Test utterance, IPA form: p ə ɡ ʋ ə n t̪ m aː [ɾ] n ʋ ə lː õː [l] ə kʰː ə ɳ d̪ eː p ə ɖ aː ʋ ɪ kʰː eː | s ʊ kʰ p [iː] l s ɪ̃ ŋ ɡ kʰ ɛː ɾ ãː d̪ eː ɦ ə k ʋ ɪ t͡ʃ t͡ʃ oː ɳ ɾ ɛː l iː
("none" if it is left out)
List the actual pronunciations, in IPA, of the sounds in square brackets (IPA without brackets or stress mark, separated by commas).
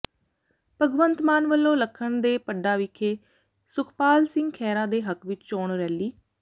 none, l, aː